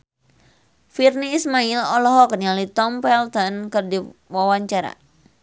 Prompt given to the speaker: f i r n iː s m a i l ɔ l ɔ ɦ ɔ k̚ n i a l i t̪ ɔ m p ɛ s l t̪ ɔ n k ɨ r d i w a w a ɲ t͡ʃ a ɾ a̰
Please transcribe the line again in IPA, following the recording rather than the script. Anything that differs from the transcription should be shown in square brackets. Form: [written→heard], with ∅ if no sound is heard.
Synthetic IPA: f i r n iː s m a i l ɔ l ɔ ɦ ɔ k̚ n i a l i t̪ ɔ m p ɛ [s→∅] l t̪ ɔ n k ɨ r d i w a w a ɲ t͡ʃ a ɾ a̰

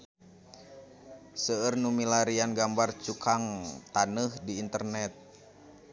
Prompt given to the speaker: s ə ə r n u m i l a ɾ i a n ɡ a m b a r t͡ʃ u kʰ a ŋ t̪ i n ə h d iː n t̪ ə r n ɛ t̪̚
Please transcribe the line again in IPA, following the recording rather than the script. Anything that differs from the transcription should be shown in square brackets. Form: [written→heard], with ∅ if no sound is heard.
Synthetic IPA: s ə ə r n u m i l a ɾ i a n ɡ a m b a r t͡ʃ u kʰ a ŋ t̪ [i→a] n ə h d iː n t̪ ə r n ɛ t̪̚

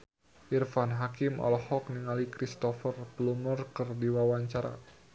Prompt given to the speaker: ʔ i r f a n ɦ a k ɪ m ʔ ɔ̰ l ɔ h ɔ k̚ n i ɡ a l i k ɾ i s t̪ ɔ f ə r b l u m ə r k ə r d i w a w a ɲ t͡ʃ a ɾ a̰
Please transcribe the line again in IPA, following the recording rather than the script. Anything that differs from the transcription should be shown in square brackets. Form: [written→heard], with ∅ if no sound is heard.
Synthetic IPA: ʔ i r f a n ɦ a k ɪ m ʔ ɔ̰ l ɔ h ɔ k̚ n i [ɡ→ŋ] a l i k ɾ i s t̪ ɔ f ə r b l u m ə r k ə r d i w a w a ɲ t͡ʃ a ɾ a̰

